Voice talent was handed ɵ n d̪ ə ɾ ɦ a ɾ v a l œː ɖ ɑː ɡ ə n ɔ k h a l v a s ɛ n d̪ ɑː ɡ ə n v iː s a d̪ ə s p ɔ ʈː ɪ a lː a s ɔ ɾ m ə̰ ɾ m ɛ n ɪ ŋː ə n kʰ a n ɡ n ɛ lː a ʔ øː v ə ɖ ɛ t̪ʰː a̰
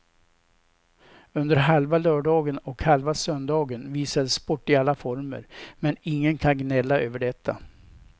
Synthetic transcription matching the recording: ɵ n d̪ ə ɾ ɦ a l v a l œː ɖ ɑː ɡ ə n ɔ k h a l v a s œ n d̪ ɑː ɡ ə n v iː s a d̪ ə s p ɔ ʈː ɪ a lː a f ɔ ɾ m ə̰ ɾ m ɛ n ɪ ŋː ə n kʰ a n ɡ n ɛ lː a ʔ øː v ə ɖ ɛ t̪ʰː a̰